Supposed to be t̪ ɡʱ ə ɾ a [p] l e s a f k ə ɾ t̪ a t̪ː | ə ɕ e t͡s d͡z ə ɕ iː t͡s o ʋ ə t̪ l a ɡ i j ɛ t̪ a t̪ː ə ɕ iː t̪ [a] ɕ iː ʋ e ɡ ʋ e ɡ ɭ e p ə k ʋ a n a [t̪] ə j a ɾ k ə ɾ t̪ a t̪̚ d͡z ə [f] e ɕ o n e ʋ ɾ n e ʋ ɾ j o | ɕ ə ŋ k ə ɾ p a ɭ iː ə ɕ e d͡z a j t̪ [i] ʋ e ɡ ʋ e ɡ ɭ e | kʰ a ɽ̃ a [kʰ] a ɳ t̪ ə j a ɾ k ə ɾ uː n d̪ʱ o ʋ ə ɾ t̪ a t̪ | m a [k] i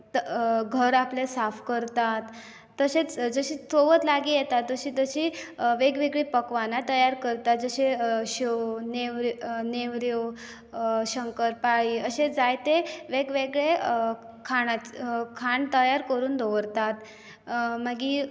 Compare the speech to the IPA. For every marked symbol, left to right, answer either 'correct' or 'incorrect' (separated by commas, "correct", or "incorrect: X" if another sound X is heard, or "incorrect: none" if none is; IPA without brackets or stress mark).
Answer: correct, incorrect: ə, correct, incorrect: ɕ, incorrect: e, correct, incorrect: ɡ